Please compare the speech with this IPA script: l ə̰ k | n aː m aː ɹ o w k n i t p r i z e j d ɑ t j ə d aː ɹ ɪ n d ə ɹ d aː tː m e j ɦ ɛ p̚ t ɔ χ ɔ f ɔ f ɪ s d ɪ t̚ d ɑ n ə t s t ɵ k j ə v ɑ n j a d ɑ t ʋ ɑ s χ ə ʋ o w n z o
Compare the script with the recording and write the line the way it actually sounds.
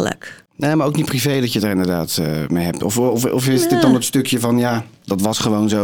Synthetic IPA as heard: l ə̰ k | n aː m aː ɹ o w k n i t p r i v e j d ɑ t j ə d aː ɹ ɪ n d ə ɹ d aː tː m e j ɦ ɛ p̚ t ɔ f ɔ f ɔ f ɪ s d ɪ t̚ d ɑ n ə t s t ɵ k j ə v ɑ n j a d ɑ t ʋ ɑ s χ ə ʋ o w n z o